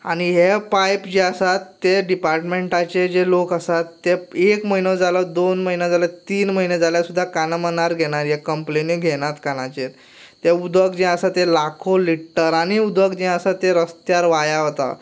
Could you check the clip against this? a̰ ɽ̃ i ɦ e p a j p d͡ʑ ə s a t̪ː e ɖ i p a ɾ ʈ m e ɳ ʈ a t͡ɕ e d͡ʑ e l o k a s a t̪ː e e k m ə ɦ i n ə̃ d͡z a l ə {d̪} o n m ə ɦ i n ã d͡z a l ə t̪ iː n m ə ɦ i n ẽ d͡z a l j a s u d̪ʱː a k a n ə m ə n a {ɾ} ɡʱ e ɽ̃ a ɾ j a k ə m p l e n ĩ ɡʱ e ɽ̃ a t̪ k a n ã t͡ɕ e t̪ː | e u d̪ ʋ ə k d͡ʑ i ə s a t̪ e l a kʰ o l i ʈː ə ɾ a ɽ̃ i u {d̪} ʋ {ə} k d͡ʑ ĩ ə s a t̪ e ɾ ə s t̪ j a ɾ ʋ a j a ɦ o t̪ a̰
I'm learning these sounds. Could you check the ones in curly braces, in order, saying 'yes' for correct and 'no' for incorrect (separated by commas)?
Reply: yes, yes, yes, yes